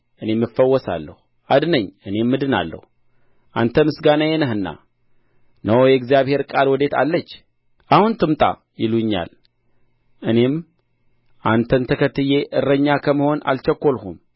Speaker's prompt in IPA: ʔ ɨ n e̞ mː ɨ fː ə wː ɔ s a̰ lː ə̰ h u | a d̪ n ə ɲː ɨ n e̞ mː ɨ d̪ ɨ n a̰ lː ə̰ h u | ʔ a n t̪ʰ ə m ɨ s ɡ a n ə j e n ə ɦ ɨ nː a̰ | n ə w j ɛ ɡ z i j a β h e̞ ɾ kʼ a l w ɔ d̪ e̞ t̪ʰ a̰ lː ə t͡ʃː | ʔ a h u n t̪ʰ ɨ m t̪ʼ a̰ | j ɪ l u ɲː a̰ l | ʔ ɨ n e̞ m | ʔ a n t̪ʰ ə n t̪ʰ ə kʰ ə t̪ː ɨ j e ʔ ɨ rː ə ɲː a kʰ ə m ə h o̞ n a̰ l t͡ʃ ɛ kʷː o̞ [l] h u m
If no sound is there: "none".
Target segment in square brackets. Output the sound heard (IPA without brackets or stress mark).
l